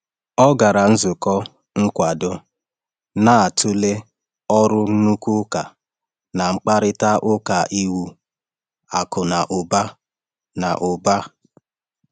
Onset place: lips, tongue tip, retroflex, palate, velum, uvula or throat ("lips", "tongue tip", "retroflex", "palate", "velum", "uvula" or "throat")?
velum